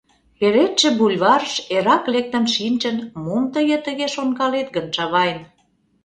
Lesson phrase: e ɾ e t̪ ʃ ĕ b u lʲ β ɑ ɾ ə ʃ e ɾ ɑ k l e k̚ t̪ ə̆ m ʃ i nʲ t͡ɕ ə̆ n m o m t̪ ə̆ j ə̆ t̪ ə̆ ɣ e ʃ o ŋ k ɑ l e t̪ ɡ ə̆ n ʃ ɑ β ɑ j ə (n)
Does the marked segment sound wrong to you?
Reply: no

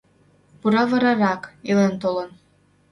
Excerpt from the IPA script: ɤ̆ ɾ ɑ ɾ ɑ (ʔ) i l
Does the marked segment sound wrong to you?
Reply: yes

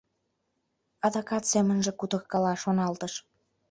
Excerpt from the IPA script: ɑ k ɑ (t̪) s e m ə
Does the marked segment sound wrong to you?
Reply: no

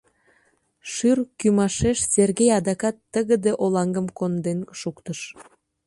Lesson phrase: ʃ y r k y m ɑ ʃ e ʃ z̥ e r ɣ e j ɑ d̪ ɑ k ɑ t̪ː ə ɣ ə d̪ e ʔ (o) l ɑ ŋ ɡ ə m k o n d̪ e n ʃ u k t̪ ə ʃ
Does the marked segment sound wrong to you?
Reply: no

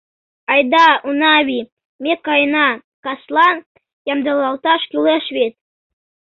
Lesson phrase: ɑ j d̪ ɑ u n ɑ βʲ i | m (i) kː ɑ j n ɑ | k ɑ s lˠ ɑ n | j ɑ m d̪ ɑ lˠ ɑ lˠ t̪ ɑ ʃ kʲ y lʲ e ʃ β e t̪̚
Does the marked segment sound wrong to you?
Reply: yes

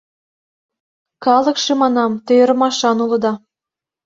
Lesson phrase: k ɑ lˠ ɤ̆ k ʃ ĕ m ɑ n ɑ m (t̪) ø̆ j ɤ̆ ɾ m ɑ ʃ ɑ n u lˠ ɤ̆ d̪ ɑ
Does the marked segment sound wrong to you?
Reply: no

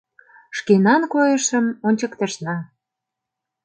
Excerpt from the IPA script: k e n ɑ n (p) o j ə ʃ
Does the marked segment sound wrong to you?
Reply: yes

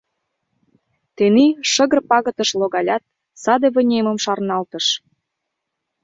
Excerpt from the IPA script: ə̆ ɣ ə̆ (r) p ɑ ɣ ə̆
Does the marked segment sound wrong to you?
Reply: no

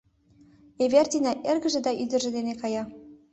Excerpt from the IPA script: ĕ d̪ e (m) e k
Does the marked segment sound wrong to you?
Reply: yes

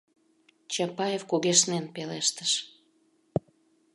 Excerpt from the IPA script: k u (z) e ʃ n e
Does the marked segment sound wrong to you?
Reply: yes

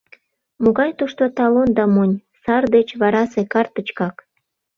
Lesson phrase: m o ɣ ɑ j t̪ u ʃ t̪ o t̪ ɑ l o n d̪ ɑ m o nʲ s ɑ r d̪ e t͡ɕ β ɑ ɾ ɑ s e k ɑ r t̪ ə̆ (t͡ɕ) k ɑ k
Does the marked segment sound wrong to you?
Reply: no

